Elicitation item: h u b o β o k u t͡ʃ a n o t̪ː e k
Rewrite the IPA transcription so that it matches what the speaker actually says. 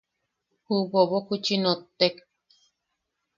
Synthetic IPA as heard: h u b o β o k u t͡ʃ i n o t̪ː e k